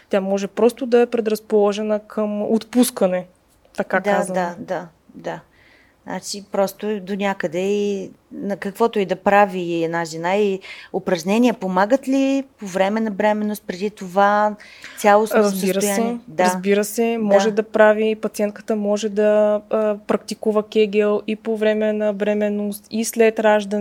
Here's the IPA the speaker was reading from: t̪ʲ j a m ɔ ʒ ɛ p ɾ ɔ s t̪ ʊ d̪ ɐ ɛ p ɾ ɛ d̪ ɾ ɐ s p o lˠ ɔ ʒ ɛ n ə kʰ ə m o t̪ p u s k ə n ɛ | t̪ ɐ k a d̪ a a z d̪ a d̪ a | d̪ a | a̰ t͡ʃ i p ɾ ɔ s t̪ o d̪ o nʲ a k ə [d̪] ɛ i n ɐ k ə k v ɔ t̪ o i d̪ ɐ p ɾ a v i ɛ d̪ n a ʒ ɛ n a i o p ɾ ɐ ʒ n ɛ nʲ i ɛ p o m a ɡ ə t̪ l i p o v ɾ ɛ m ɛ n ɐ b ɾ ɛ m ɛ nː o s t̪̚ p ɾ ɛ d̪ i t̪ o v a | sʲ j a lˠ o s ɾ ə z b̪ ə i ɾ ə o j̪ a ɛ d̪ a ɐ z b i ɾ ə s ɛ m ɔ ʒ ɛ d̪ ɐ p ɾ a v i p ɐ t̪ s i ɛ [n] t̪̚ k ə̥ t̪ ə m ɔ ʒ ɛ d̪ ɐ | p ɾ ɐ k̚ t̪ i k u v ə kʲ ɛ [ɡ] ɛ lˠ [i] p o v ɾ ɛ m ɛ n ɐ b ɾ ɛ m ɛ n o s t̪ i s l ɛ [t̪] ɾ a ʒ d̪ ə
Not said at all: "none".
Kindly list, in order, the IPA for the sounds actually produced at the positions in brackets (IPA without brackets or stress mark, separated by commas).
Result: d̪, n, ɡ, i, t̪